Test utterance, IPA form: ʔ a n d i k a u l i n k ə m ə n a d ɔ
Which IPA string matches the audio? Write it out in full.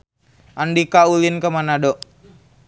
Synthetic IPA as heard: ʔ a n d i k a u l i n k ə m a n a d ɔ